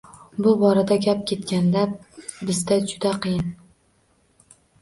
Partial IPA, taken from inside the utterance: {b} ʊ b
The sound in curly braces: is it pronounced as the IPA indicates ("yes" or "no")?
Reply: yes